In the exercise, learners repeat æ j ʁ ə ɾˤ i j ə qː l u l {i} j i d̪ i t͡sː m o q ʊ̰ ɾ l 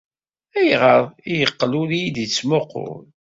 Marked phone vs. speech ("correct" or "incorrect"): correct